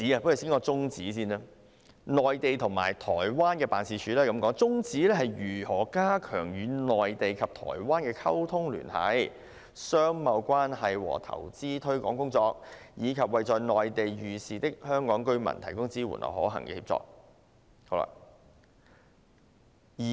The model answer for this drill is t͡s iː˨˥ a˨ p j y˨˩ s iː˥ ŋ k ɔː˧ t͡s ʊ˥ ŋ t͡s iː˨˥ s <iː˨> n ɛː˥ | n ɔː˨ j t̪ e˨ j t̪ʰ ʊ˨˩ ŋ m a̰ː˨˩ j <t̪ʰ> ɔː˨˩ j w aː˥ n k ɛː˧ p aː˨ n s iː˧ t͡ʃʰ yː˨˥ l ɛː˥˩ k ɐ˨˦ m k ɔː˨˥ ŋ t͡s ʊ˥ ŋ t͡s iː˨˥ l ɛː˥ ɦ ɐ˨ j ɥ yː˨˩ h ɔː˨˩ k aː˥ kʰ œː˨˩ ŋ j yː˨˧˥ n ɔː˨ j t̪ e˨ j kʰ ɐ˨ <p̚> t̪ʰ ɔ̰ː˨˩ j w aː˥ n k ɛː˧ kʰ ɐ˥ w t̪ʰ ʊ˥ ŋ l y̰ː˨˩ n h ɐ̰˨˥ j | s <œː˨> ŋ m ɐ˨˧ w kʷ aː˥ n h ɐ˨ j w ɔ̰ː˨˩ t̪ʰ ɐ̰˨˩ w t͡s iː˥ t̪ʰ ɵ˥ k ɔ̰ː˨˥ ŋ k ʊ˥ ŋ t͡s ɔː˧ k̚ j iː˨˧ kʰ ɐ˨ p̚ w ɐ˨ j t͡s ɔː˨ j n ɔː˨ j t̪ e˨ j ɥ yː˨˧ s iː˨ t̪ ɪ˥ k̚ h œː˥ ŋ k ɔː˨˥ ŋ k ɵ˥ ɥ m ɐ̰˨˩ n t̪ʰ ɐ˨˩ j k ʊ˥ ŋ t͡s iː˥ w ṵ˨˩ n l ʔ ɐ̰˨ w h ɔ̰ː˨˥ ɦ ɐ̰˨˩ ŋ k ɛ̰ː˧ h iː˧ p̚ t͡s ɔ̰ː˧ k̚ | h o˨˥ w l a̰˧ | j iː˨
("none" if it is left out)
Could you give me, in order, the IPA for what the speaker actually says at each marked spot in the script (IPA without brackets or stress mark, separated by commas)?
iː˥, t̪ʰ, p̚, œː˥